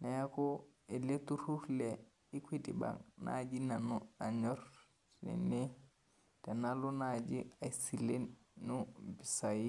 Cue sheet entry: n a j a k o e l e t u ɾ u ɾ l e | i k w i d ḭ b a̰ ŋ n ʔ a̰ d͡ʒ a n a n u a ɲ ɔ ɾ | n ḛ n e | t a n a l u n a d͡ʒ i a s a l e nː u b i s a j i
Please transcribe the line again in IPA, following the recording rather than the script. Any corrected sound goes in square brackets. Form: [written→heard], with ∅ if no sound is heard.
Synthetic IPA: n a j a k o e l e t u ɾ u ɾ l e | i k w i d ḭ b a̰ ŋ n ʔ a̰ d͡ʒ [a→i] n a n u a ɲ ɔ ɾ | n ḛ n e | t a n a l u n a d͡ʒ i a s [a→i] l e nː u b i s a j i